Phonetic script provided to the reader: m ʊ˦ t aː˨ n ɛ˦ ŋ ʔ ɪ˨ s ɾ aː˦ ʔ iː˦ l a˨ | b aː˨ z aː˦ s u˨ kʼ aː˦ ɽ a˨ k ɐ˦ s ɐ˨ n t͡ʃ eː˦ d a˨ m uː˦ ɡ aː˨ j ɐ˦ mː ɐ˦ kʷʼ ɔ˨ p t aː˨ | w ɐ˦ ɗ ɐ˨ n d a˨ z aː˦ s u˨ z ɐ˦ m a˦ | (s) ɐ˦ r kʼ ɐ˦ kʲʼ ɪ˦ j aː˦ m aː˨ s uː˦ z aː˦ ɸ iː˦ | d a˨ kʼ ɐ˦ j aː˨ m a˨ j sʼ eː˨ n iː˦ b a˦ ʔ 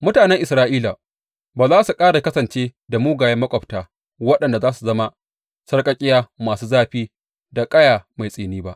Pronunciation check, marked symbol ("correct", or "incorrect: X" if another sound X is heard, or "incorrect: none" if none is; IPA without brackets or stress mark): correct